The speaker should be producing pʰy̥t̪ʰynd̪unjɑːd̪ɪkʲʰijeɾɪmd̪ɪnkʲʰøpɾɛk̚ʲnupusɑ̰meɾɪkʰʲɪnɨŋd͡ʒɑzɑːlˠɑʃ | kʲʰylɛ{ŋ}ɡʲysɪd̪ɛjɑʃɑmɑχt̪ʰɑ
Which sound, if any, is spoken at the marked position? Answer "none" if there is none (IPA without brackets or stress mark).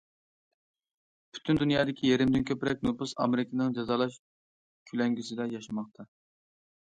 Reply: ŋ